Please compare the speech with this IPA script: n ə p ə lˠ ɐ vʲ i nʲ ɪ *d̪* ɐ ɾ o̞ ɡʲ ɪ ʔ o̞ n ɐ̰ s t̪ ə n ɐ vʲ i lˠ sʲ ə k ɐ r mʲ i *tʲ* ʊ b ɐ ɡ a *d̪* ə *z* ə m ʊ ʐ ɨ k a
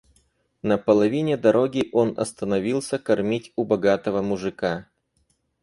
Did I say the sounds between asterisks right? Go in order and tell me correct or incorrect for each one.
correct, correct, incorrect: t̪, incorrect: v

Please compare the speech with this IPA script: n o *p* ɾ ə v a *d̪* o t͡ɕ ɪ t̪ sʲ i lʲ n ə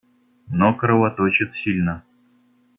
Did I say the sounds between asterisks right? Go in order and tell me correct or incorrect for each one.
incorrect: k, incorrect: t̪

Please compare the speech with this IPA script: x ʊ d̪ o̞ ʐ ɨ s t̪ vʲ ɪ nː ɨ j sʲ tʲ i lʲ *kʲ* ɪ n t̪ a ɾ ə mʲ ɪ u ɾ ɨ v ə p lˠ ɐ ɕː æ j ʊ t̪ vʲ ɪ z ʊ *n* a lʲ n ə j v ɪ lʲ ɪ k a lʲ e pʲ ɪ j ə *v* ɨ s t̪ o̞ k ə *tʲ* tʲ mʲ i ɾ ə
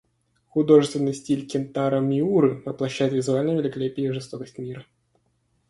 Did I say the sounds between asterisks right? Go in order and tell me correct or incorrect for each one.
correct, incorrect: none, incorrect: ʐ, incorrect: sʲ

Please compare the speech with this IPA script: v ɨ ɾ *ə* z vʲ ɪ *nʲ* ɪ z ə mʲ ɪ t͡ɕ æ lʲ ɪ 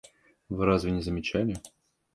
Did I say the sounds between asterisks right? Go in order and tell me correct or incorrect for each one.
incorrect: a, correct

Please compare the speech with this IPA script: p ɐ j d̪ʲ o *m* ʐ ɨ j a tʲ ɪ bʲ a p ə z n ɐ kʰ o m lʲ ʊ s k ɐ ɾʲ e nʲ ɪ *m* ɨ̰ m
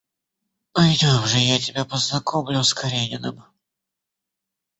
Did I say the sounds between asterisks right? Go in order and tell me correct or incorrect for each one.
correct, incorrect: n

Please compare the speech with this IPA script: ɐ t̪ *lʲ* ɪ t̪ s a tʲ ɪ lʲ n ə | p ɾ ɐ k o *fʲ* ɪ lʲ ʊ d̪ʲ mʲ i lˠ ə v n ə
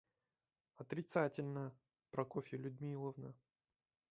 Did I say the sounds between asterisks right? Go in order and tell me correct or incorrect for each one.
incorrect: ɾʲ, correct

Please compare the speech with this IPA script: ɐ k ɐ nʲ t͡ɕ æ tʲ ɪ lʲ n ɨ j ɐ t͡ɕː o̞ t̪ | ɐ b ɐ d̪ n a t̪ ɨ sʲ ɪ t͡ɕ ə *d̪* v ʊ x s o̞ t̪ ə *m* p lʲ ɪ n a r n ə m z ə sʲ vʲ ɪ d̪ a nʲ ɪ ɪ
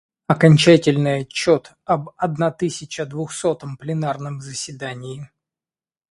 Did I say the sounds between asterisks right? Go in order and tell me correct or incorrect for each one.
correct, correct

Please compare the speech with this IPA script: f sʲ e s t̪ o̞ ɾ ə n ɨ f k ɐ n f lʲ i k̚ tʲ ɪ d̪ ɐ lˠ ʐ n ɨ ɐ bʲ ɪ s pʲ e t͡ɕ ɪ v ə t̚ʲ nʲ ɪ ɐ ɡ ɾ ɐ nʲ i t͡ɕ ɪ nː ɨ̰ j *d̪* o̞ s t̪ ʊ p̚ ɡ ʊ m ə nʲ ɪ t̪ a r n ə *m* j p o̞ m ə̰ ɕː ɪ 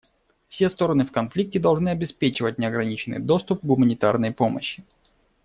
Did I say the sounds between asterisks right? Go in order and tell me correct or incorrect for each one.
correct, incorrect: none

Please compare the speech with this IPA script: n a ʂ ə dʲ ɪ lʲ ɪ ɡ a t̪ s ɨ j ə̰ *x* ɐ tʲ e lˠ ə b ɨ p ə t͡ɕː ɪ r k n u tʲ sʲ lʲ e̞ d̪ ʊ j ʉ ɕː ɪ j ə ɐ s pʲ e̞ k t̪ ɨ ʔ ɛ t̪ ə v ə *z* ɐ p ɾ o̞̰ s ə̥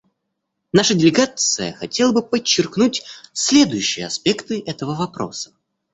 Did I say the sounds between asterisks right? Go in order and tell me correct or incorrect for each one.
correct, incorrect: v

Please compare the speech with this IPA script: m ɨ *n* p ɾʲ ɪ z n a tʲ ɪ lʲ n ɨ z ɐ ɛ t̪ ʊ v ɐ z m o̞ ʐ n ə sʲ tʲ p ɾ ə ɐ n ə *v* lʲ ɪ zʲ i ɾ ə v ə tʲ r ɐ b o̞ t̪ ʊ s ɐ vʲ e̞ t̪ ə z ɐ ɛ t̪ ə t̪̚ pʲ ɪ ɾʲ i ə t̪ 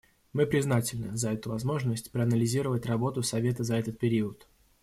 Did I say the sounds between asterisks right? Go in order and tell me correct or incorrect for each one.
incorrect: none, incorrect: none

